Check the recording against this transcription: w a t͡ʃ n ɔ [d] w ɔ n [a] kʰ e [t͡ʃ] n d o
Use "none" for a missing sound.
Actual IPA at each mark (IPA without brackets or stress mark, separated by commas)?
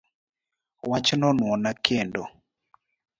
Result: n, a, none